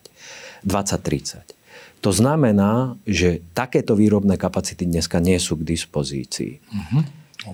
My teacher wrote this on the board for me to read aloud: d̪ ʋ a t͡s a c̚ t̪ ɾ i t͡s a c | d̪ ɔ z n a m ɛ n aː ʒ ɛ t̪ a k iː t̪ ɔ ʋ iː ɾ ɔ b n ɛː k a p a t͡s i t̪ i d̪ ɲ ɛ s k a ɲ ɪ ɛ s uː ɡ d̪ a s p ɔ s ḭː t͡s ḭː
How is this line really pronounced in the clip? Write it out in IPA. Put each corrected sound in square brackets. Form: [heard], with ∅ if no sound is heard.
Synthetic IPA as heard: d̪ ʋ a t͡s a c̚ t̪ ɾ i t͡s a c | [t̪] ɔ z n a m ɛ n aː ʒ ɛ t̪ a k [ɛː] t̪ ɔ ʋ iː ɾ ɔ b n ɛː k a p a t͡s i t̪ i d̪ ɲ ɛ s k a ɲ ɪ ɛ s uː ɡ d̪ [i] s p ɔ [z] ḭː t͡s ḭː